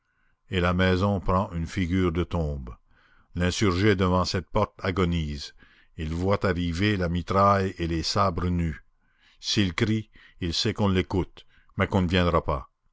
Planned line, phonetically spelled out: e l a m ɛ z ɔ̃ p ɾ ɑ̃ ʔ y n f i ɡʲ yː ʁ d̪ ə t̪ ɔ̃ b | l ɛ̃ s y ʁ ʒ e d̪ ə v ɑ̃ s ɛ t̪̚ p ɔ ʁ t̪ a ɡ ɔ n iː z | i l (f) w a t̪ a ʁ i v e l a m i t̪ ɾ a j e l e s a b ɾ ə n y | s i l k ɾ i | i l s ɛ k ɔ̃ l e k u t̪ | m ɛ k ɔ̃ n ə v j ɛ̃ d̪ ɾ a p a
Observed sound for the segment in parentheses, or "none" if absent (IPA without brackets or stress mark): v